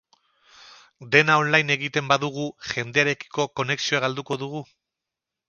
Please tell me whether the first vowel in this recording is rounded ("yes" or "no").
no